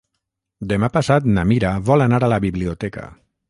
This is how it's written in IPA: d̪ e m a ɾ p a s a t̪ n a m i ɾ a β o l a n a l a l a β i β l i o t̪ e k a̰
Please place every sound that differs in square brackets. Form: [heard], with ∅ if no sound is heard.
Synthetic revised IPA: d̪ e m a [∅] p a s a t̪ n a m i ɾ a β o l a n a [ɾ] a l a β i β l i o t̪ e k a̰